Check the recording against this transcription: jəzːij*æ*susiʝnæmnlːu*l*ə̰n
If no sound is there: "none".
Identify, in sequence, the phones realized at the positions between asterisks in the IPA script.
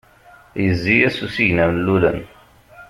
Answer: æ, l

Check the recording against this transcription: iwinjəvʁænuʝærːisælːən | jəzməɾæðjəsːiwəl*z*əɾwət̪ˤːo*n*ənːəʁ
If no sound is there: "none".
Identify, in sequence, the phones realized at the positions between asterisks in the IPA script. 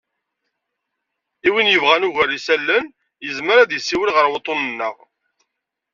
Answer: ʁ, n

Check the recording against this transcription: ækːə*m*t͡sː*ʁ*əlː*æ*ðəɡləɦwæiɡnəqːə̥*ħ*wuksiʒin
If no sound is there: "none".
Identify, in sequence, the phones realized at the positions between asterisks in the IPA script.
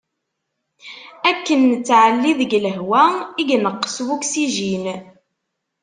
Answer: n, ʕ, i, s

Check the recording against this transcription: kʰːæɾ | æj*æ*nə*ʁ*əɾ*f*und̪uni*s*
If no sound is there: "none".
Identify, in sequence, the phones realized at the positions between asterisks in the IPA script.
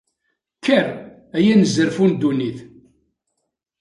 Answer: æ, z, f, θ

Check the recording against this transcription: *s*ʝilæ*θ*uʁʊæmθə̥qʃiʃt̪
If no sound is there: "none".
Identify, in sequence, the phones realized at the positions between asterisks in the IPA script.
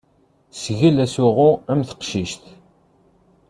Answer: s, s

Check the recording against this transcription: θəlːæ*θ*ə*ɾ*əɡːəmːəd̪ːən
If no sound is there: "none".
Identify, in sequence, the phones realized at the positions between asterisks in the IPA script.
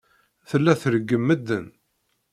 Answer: θ, ɾ

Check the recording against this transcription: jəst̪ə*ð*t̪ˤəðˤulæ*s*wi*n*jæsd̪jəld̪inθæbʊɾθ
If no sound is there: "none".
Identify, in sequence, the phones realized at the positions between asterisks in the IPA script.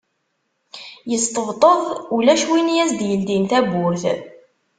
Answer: v, ʃ, n

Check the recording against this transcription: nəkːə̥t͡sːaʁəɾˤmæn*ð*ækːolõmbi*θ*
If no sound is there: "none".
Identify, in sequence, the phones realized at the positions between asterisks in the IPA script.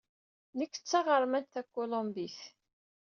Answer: θ, θ

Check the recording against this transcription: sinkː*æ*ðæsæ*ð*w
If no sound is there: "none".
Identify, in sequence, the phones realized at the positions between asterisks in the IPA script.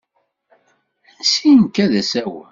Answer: æ, none

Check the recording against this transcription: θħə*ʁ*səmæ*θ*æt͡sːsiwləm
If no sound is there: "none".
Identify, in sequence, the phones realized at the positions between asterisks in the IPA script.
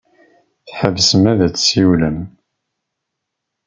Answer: v, ð

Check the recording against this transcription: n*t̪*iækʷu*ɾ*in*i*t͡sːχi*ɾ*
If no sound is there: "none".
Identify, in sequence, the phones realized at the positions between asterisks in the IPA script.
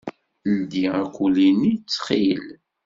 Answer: d̪, l, i, l

